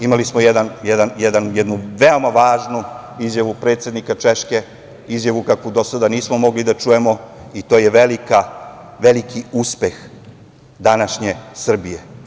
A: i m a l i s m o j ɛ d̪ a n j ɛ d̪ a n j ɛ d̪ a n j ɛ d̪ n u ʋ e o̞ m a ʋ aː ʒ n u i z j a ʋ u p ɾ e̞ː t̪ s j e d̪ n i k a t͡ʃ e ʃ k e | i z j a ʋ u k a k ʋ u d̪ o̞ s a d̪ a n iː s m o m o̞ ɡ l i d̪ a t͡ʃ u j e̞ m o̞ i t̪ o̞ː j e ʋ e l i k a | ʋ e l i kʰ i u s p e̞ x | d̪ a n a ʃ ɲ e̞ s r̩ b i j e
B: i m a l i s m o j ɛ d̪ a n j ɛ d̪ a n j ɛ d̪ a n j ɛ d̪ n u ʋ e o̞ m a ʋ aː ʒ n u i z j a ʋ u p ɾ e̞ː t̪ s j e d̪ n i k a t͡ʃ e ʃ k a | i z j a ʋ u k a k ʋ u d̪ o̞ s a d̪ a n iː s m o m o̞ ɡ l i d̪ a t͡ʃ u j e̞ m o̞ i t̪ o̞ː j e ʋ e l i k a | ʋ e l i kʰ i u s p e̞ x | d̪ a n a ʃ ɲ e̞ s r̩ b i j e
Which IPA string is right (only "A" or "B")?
A